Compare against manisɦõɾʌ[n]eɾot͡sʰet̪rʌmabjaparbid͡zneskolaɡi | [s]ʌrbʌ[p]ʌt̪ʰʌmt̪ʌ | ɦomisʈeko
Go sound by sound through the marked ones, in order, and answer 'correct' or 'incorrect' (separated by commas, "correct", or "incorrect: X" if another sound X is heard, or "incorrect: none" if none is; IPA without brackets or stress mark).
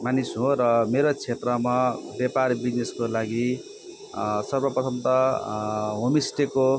incorrect: m, correct, correct